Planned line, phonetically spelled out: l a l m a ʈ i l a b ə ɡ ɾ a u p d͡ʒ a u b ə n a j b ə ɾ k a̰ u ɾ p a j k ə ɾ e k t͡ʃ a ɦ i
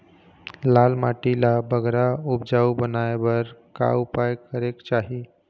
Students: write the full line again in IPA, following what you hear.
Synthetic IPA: l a l m a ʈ i l a b ə ɡ ɾ a u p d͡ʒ a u b ə n a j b ə ɾ k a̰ u p a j k ə ɾ e k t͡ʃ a ɦ i

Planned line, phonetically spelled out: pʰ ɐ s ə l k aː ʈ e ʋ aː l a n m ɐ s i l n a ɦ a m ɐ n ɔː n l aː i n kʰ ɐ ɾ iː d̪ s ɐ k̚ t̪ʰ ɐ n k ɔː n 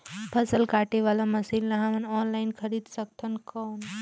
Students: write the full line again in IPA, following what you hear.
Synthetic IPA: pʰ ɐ s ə l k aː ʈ e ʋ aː l a m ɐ s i l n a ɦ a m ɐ n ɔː n l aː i n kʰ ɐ ɾ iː d̪ s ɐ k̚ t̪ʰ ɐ n k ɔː n

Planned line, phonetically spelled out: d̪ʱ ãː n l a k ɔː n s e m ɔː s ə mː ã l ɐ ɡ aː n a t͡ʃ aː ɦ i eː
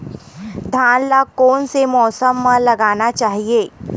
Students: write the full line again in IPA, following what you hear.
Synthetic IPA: d̪ʱ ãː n l a k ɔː n s e m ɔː s ə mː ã l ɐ ɡ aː n a t͡ʃ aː ɦ i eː

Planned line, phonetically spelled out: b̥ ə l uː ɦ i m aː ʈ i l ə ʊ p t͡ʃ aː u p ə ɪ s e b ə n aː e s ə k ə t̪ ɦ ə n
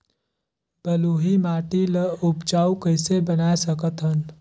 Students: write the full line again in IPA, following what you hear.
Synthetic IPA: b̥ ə l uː ɦ i m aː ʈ i l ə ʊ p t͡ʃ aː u k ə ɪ s e b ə n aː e s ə k ə t̪ ɦ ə n

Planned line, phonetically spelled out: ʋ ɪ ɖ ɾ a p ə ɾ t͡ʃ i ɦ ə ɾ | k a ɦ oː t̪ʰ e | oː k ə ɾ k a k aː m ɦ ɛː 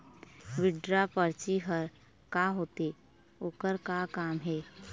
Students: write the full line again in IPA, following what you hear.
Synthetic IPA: ʋ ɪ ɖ ɾ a p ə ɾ t͡ʃ i ɦ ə ɾ | k a ɦ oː t̪ e | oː k ə ɾ k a k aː m ɦ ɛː

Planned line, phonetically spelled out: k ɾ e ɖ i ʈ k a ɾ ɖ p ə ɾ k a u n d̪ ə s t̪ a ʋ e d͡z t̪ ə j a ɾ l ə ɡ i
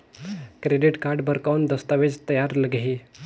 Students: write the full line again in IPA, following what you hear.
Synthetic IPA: k ɾ e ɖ i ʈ k a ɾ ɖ b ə ɾ k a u n d̪ ə s t̪ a ʋ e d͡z t̪ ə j a ɾ l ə ɡ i

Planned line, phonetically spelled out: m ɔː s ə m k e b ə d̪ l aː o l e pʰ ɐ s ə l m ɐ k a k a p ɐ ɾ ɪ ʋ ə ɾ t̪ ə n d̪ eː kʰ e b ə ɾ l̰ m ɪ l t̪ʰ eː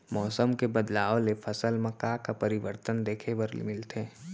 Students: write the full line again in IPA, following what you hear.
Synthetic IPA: m ɔː s ə m k e b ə d̪ l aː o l e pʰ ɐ s ə l m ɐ k a k a p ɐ ɾ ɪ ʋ ə ɾ t̪ ə n d̪ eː kʰ e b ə ɾ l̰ m ɪ l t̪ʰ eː

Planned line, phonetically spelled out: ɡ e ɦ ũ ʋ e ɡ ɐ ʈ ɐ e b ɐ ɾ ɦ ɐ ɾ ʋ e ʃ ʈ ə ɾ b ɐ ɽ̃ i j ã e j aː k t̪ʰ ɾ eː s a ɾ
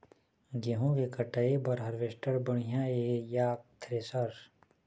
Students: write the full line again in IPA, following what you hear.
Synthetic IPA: ɡ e ɦ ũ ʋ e k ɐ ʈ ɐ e b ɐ ɾ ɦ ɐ ɾ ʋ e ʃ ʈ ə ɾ b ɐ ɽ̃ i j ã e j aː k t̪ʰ ɾ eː s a ɾ

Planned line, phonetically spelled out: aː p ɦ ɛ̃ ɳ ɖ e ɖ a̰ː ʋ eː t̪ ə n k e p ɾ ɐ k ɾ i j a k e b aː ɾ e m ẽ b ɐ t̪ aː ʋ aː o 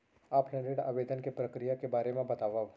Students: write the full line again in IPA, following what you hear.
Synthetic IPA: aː p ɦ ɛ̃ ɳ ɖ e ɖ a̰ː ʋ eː d̪ ə n k e p ɾ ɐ k ɾ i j a k e b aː ɾ e m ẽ b ɐ t̪ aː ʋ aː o

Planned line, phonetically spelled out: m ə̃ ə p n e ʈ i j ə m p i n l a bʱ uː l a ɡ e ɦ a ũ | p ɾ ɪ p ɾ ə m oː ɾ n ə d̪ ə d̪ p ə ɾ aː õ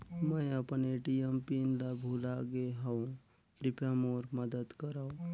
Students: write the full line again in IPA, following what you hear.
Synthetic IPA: m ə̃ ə p n e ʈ i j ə m p i n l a bʱ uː l a ɡ e ɦ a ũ | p ɾ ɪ p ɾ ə m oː ɾ m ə d̪ ə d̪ k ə ɾ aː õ

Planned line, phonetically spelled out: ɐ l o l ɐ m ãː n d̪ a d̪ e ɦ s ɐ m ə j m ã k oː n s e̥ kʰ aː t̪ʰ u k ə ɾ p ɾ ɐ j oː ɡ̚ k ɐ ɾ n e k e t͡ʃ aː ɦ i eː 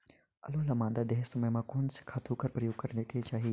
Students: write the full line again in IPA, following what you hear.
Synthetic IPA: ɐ l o l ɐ m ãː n d̪ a d̪ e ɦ s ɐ m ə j m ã k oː n s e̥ kʰ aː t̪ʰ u k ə ɾ p ɾ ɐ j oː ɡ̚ k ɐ ɾ n e k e t͡ʃ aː ɦ i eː

